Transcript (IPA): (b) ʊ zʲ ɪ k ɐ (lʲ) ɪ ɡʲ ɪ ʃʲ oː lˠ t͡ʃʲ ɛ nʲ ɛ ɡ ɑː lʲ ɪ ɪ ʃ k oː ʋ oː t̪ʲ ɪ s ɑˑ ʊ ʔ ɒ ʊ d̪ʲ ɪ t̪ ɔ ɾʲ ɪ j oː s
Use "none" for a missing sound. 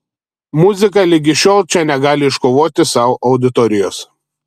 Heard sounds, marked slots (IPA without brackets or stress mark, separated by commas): m, lʲ